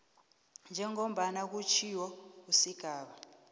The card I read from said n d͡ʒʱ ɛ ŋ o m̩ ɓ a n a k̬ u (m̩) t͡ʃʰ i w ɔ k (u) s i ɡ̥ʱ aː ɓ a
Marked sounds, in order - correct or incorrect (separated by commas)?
incorrect, correct